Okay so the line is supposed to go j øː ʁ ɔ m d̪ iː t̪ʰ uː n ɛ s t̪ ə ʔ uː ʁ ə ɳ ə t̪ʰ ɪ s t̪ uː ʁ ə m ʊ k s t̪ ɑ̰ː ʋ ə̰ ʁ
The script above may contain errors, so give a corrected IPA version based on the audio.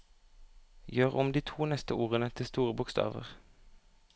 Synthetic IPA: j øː ʁ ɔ m d̪ iː t̪ʰ uː n ɛ s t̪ ə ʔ uː ʁ ə n ə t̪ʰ ɪ s t̪ uː ʁ ə b ʊ k s t̪ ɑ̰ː ʋ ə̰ ʁ